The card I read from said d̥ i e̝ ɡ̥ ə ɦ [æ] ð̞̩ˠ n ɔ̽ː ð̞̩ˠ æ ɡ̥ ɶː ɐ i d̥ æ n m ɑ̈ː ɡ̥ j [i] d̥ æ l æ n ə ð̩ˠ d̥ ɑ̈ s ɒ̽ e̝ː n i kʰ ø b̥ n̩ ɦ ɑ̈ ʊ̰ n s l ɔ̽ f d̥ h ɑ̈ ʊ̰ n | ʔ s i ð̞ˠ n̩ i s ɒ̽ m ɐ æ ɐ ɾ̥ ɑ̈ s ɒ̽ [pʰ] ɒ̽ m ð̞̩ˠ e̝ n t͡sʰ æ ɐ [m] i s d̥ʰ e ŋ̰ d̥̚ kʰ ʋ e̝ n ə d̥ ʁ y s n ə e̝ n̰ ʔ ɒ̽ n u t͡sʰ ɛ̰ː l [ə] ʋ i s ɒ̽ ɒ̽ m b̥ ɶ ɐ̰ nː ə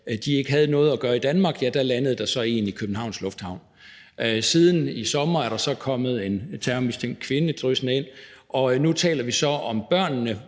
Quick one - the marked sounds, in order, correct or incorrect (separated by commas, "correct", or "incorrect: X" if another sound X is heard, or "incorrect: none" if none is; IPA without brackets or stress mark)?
correct, incorrect: æ, incorrect: kʰ, correct, incorrect: ɐ